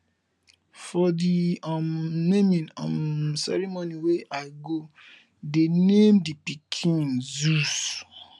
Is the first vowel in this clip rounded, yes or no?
yes